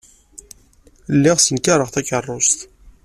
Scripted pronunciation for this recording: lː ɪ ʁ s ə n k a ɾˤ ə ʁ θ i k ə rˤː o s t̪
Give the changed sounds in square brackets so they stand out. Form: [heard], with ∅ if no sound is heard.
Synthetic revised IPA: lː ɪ ʁ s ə n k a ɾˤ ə ʁ θ [æ] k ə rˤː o s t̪